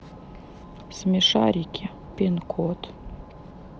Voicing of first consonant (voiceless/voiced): voiceless